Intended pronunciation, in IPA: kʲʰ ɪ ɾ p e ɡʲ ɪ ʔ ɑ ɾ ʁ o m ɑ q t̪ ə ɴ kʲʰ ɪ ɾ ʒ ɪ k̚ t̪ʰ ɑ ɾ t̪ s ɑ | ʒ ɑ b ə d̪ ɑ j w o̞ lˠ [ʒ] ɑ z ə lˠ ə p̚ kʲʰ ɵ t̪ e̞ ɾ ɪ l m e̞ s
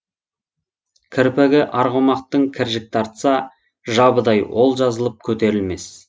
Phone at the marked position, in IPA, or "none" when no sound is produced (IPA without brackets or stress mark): ʒ